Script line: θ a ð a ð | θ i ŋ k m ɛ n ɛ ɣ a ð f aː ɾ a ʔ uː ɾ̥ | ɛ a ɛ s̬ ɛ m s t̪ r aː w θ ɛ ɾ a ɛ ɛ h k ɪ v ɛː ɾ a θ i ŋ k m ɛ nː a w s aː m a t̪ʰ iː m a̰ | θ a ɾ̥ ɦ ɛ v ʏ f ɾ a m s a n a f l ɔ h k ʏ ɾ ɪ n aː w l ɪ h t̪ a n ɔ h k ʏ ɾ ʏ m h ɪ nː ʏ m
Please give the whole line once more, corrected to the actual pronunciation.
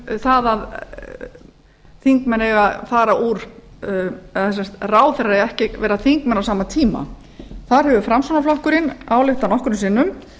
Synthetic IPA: θ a ð a ð | θ i ŋ k m ɛ n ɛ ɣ a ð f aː ɾ a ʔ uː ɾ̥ | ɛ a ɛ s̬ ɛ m s t̪ r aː w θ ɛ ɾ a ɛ ɛ h c ɪ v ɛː ɾ a θ i ŋ k m ɛ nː a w s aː m a t̪ʰ iː m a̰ | θ a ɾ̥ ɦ ɛ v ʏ f ɾ a m s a n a f l ɔ h k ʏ ɾ ɪ n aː w l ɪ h t̪ a n ɔ h k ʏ ɾ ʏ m s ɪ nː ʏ m